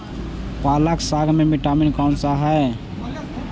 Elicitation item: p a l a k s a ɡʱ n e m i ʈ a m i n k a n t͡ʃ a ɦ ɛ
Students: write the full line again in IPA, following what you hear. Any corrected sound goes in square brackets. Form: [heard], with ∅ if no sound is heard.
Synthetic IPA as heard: p a l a k s a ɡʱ [m] e m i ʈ a m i n k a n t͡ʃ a ɦ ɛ

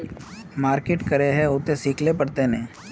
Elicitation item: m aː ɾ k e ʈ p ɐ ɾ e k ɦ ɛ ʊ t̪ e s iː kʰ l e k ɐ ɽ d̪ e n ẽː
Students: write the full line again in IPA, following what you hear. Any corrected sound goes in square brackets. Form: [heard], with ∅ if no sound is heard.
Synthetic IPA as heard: m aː ɾ k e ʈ [k] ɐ ɾ e [∅] ɦ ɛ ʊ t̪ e s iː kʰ l e [p] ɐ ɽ [t̪] e n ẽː

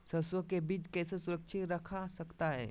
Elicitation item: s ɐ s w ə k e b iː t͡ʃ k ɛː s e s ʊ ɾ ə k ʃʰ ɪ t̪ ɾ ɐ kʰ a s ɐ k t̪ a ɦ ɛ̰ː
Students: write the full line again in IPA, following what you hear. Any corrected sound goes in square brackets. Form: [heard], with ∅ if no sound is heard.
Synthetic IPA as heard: s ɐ s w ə k e b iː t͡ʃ k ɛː s e s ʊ ɾ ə k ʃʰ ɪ t̪ ɾ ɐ kʰ a s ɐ k t̪ a ɦ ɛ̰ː

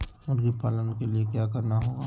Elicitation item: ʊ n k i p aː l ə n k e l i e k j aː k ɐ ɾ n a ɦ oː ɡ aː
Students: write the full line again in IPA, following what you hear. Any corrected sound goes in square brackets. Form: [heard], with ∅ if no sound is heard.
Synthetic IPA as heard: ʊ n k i p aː l ə n k e l i e k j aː k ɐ ɾ n a ɦ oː ɡ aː

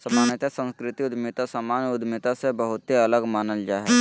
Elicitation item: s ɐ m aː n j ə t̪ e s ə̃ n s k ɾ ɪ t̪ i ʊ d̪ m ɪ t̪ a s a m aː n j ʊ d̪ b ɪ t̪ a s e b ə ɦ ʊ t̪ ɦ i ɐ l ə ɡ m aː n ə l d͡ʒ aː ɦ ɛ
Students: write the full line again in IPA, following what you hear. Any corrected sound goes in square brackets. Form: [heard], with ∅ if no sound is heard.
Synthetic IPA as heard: s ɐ m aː n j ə t̪ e s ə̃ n s k ɾ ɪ t̪ i ʊ d̪ m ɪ t̪ a s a m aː n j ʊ d̪ [m] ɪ t̪ a s e b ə ɦ ʊ t̪ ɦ i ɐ l ə ɡ m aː n ə l d͡ʒ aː ɦ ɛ

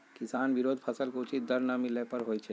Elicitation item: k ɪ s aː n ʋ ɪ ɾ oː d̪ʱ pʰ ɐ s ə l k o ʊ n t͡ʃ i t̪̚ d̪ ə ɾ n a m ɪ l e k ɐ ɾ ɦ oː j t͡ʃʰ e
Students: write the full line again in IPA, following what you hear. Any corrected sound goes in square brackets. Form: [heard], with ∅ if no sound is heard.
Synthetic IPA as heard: k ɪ s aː n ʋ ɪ ɾ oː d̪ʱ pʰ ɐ s ə l k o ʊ [∅] t͡ʃ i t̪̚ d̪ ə ɾ n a m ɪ l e [p] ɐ ɾ ɦ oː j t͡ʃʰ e

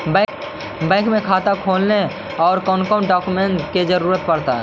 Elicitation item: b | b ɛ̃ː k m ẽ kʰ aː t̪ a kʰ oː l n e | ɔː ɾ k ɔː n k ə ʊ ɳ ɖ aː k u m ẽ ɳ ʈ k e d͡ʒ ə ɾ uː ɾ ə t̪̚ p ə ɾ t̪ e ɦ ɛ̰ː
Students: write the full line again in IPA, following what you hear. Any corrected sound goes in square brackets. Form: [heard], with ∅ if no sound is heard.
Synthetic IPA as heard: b | b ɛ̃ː k m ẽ kʰ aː t̪ a kʰ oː l n e | ɔː ɾ k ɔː n k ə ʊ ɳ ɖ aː k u m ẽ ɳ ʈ k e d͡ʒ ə ɾ uː ɾ ə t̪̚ p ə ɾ t̪ [a] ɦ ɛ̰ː

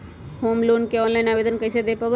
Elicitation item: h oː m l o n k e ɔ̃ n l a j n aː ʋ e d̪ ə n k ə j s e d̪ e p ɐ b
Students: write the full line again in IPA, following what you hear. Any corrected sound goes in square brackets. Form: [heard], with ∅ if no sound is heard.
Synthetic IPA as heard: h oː m l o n k e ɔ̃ n l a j n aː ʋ e d̪ ə n k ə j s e d̪ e p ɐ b

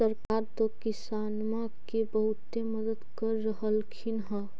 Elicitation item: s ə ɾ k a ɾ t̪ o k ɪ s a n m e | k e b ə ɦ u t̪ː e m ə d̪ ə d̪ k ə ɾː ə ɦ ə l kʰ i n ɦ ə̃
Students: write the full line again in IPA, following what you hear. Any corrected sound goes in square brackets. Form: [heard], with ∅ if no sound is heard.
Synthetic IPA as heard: s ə ɾ k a ɾ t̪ o k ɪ s a n m [a] | k e b ə ɦ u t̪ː e m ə d̪ ə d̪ k ə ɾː ə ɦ ə l kʰ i n ɦ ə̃

